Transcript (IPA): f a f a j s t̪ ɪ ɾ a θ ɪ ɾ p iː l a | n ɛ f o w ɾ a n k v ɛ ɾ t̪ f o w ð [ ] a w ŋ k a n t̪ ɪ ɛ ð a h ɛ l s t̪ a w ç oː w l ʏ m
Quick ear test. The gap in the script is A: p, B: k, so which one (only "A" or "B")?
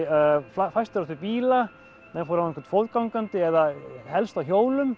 B